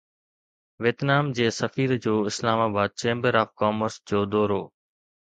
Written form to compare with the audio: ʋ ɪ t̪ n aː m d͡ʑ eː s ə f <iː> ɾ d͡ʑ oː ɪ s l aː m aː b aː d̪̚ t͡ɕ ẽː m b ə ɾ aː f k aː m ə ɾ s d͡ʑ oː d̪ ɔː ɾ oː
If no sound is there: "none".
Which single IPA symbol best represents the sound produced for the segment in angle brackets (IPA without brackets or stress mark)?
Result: iː